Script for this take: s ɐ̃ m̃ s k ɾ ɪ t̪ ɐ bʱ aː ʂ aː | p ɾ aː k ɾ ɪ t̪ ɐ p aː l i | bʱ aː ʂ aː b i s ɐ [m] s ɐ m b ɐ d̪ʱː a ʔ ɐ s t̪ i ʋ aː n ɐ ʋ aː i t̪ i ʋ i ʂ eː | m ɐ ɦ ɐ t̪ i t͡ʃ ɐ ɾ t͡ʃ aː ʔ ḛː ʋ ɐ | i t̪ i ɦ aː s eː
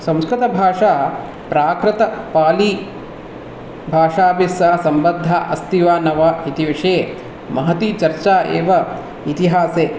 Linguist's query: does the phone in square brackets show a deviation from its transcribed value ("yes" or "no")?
yes